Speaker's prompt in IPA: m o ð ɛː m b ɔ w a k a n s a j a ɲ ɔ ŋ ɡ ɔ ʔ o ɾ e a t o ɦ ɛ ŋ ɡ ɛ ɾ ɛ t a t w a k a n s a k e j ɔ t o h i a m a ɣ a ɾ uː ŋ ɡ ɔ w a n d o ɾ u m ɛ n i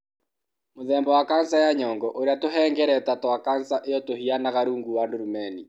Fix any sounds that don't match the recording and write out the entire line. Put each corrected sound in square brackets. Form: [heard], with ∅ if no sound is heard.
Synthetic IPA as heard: m o ð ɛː m b ɔ w a k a n s a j a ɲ ɔ ŋ ɡ ɔ ʔ o ɾ e a t o ɦ ɛ ŋ ɡ ɛ ɾ ɛ t a t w a k a n s a [ʔ] e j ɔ t o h i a [n] a ɣ a ɾ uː ŋ ɡ [u] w a n d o ɾ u m ɛ n i